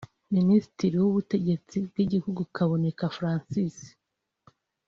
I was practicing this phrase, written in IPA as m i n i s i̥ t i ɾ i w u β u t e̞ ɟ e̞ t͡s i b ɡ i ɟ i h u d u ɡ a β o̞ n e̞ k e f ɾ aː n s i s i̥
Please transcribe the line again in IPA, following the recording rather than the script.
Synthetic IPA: m i n i s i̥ t i ɾ i w u β u t e̞ ɟ e̞ t͡s i b ɡ i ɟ i h u ɡ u k a β o̞ n e̞ k a f ɾ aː n s i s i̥